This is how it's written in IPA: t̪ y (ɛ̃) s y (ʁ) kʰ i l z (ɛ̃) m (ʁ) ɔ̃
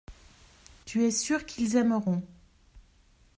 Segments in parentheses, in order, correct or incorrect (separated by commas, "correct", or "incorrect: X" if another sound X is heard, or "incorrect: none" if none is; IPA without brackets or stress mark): incorrect: ɛ, correct, incorrect: ɛ, correct